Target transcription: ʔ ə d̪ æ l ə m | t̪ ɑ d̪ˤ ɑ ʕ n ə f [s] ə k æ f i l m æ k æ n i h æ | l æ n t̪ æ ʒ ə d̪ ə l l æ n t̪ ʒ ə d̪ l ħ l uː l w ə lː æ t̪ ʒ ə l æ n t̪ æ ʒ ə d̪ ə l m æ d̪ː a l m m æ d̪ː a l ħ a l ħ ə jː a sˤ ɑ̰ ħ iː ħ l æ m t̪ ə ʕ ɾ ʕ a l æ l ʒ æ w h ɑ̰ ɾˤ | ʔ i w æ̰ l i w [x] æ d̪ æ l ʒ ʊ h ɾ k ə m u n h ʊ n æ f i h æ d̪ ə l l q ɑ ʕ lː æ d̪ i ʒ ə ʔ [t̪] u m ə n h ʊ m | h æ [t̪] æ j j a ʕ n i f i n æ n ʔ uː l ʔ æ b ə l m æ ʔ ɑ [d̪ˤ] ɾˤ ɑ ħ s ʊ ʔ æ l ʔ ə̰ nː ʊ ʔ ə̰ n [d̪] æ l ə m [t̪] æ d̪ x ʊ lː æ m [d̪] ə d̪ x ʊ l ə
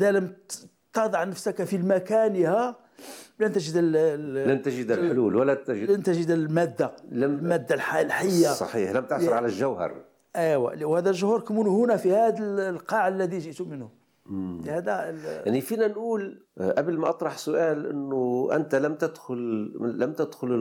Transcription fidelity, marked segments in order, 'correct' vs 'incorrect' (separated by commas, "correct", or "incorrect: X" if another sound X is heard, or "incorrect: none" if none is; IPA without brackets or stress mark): correct, incorrect: h, correct, incorrect: d̪, incorrect: t̪ˤ, incorrect: t̪, correct, incorrect: t̪